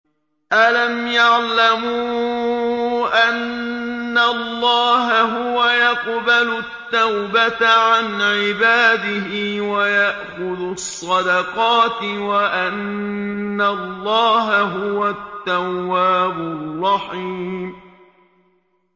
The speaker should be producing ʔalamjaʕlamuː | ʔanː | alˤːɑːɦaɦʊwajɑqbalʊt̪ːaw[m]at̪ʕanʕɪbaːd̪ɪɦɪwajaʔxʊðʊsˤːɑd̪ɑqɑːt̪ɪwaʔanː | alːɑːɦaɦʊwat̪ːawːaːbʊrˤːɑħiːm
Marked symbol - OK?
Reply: no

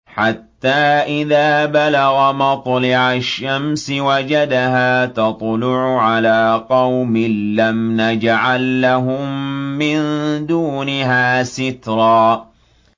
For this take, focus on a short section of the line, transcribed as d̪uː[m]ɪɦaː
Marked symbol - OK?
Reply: no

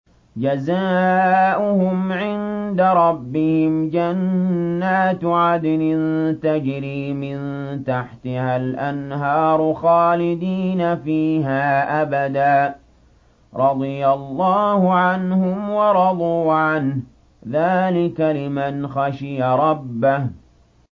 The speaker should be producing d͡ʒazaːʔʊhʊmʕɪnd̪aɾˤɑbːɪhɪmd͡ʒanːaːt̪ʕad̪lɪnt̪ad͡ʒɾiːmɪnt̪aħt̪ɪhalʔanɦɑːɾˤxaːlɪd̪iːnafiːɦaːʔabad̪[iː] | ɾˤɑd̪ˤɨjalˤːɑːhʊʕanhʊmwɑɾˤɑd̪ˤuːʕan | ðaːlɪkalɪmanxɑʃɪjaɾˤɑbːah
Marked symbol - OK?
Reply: no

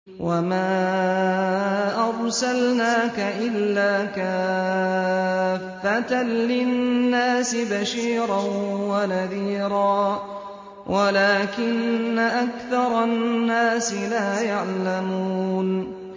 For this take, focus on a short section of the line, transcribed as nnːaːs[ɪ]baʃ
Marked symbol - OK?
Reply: yes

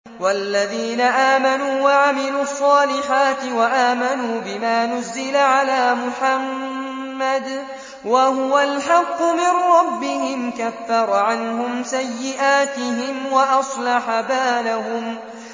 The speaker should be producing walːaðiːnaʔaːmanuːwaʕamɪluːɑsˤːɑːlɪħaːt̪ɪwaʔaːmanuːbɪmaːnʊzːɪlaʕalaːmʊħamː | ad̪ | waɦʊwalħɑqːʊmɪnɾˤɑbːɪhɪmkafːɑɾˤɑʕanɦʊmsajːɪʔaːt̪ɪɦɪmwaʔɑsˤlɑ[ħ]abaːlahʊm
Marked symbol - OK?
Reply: yes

